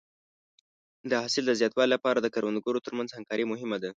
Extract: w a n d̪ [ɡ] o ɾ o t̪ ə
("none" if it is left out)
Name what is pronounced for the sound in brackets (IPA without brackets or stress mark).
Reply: ɡ